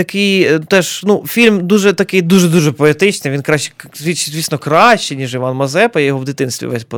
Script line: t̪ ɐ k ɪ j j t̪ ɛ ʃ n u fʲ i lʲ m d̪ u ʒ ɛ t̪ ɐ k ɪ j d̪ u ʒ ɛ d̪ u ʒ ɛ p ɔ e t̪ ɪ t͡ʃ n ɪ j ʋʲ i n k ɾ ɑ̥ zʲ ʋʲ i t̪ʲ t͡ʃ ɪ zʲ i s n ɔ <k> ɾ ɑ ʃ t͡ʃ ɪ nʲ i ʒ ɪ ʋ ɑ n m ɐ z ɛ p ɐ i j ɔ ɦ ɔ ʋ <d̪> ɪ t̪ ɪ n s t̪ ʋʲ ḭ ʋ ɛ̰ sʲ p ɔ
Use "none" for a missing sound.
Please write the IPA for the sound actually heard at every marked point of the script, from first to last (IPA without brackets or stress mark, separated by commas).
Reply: k, d̪